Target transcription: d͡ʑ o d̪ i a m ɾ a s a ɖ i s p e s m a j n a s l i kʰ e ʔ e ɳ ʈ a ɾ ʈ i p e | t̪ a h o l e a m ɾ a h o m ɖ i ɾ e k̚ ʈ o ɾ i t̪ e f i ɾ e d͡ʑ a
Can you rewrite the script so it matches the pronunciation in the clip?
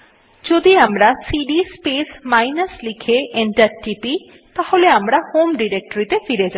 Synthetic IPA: d͡ʑ o d̪ i a m ɾ a s i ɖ i s p e s m a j n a s l i kʰ e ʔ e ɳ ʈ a ɾ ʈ i p i | t̪ a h o l e a m ɾ a h o m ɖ i ɾ e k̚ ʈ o ɾ i t̪ e f i ɾ e d͡ʑ a